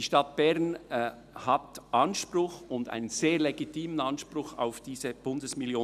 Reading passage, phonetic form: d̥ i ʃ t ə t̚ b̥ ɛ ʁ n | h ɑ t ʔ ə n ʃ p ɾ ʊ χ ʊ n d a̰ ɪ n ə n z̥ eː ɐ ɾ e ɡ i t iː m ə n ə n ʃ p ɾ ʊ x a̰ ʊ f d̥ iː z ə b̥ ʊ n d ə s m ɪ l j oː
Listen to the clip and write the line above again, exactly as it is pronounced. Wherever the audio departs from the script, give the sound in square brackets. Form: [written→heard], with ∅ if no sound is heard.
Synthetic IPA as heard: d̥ i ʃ t [ə→ɑ] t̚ b̥ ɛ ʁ n | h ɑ t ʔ [ə→ɑ] n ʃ p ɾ ʊ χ ʊ n d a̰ ɪ n ə n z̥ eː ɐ [ɾ→l] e ɡ i t iː m ə n [ə→ɑ] n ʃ p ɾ ʊ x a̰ ʊ f d̥ iː z ə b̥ ʊ n d ə s m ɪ l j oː

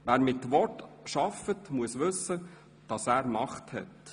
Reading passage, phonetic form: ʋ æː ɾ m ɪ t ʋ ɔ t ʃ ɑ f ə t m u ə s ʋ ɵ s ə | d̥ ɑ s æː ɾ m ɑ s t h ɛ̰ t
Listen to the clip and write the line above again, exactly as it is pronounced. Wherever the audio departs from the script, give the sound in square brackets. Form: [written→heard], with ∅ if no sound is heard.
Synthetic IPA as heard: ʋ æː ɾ m ɪ t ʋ ɔ t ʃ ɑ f ə t m u ə s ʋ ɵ s ə | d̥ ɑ s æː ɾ m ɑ [s→χ] t h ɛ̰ t

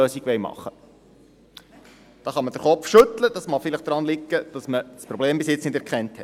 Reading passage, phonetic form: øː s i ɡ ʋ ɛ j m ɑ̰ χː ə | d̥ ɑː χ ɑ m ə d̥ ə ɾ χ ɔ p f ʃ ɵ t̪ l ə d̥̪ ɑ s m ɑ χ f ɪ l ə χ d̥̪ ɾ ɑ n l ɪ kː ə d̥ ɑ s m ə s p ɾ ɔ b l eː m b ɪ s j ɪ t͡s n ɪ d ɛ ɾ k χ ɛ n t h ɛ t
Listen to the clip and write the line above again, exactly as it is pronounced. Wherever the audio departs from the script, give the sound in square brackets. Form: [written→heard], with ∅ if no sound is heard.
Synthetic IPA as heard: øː s i ɡ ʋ ɛ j m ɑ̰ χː ə | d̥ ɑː χ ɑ m ə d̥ ə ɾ χ ɔ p f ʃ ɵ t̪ l ə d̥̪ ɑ s m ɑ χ f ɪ l ə χ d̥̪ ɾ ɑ n l ɪ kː ə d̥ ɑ s m ə s p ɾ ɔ b l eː m b ɪ s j ɪ t͡s n ɪ d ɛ ɾ k χ ɛ n t h ɛ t

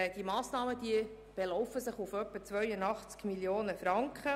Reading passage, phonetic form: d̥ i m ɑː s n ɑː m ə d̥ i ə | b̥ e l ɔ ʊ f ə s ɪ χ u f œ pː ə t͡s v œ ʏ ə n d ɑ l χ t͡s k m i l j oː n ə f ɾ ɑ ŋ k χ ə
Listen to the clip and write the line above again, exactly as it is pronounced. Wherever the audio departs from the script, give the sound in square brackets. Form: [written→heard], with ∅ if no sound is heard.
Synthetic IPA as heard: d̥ i m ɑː s n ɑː m ə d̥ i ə | b̥ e l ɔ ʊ f ə s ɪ χ u f œ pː ə t͡s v œ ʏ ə n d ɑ [l→∅] χ t͡s k m i l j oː n ə f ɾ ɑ ŋ k χ ə

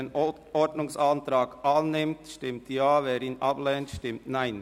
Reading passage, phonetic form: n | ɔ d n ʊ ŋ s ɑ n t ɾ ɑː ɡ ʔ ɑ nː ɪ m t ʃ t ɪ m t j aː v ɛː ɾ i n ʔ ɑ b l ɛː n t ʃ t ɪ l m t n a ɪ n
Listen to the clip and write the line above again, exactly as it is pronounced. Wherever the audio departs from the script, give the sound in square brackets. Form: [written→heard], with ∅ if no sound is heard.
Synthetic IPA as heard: n | ɔ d n ʊ ŋ s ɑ n t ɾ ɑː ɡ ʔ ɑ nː ɪ m t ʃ t ɪ m t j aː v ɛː ɾ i n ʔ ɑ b l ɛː n t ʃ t ɪ [l→∅] m t n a ɪ n

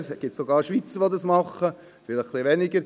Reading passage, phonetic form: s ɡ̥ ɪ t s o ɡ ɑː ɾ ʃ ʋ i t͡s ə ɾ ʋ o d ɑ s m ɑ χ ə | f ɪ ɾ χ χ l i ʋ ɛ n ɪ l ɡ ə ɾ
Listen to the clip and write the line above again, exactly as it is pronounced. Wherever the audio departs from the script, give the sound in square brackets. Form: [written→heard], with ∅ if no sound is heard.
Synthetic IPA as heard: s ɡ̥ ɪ t s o ɡ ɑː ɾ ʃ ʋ i t͡s ə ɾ ʋ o d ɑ s m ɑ χ ə | f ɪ [ɾ→l] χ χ l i ʋ ɛ n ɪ [l→∅] ɡ ə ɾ

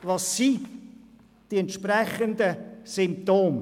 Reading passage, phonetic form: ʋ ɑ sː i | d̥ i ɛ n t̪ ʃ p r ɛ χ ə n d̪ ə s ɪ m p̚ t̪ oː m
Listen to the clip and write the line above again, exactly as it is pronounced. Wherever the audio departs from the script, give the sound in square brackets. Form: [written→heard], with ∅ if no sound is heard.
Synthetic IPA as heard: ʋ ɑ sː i | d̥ i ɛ n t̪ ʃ p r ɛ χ ə n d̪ ə s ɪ m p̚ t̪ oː m

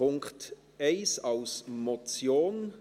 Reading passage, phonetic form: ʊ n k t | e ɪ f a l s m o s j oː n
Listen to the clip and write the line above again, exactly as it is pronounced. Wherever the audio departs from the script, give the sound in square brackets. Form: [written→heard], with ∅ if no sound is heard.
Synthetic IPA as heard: ʊ [n→ŋ] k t | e ɪ [f→s] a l s m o [s→t͡s] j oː n

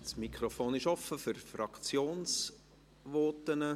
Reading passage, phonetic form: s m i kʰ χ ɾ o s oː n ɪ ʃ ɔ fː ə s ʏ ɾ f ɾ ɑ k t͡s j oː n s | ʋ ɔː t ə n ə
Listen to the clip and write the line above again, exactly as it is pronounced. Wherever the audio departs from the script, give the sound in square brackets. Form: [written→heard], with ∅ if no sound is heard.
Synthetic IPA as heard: s m i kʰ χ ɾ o [s→f] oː n ɪ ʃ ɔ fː ə [s→f] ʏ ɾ f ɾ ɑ k t͡s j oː n s | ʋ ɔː t ə n ə

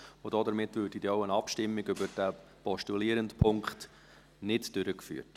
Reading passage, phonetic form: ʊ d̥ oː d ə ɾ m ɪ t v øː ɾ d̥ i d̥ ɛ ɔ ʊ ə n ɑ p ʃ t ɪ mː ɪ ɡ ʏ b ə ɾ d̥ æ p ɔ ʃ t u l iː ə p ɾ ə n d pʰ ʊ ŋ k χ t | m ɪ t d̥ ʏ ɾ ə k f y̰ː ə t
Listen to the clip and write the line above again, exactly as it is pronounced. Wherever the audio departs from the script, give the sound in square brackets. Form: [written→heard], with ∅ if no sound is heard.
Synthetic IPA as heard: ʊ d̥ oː d ə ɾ m ɪ t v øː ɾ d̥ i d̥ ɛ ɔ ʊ ə n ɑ p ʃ t ɪ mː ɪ ɡ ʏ b ə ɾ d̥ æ p ɔ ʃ t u l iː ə [p→∅] ɾ ə n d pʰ ʊ ŋ k χ t | [m→n] ɪ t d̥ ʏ ɾ ə k f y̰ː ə t

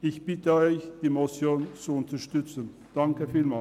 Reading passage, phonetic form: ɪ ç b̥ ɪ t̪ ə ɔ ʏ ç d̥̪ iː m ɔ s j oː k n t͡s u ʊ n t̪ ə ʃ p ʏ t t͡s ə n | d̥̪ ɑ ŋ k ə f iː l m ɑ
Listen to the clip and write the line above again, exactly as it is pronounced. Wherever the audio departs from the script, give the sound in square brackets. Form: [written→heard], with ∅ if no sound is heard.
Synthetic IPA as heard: ɪ ç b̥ ɪ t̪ ə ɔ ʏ ç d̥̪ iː m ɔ s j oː [k→∅] n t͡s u ʊ n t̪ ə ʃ [p→t] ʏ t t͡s ə n | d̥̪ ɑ ŋ k ə f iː l m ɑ

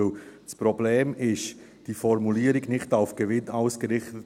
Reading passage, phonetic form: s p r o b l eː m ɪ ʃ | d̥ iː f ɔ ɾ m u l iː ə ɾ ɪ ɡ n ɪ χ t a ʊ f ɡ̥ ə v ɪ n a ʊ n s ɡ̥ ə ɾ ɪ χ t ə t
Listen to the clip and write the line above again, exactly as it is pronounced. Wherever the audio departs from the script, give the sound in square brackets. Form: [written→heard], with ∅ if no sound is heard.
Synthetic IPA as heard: s p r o b l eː m ɪ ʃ | d̥ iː f ɔ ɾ m u l iː ə ɾ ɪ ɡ n ɪ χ t a ʊ f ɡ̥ ə v ɪ n a ʊ [n→∅] s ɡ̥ ə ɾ ɪ χ t ə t

